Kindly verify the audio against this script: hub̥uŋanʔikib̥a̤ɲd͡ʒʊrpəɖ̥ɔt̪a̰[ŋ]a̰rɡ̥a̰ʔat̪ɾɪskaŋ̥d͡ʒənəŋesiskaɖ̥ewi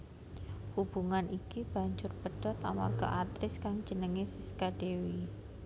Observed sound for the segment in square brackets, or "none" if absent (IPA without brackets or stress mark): m